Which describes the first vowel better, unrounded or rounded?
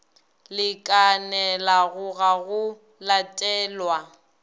unrounded